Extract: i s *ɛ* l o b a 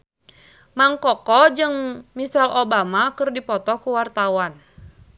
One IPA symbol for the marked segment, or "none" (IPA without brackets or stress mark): a